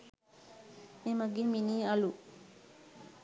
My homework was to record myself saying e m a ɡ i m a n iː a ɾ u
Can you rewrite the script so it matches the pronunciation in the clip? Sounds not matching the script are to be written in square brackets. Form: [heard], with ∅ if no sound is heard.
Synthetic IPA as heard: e m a ɡ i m [i] n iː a [l] u